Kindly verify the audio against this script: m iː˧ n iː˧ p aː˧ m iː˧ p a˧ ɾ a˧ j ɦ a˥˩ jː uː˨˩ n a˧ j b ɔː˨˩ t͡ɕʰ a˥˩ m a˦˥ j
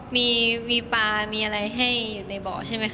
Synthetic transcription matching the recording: m iː˧ m iː˧ p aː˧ m iː˧ ʔ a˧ ɾ a˧ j ɦ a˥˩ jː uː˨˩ n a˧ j b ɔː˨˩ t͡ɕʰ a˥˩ m a˦˥ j